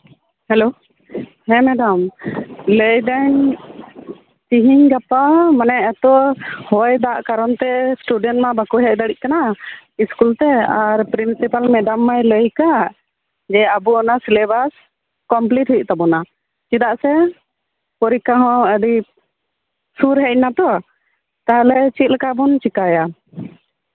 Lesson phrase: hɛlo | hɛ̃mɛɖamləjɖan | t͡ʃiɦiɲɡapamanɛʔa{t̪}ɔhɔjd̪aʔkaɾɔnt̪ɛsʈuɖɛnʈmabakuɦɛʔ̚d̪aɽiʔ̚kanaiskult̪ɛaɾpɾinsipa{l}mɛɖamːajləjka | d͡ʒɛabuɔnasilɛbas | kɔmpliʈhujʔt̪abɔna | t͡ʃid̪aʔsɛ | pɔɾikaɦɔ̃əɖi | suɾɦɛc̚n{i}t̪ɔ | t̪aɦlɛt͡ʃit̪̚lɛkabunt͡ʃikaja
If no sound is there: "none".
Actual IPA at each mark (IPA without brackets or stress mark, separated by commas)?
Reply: t̪, l, a